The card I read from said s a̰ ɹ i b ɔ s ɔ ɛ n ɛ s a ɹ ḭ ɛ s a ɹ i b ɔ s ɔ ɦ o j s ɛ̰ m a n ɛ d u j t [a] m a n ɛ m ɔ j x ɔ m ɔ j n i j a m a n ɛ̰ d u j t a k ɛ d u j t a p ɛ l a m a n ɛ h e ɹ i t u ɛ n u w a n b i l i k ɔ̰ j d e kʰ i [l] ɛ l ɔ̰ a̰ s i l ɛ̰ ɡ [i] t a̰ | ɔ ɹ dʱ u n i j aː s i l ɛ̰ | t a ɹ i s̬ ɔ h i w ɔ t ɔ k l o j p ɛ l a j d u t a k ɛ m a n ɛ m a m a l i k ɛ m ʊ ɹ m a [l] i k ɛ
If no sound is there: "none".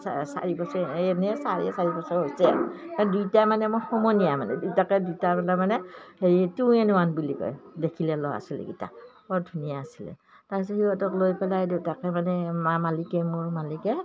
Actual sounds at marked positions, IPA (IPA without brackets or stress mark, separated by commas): a, l, i, l